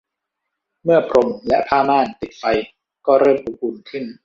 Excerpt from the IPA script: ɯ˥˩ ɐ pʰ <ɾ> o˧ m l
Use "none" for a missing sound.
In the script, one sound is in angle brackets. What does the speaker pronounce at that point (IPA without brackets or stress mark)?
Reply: ɾ